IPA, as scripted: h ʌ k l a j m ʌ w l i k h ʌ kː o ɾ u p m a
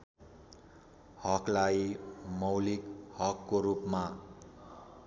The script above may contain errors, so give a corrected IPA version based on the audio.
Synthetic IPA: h ʌ k l a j m ʌ w l i k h ʌ kː o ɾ u p m a